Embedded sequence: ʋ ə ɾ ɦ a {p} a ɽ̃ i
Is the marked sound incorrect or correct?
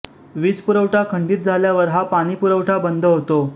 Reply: correct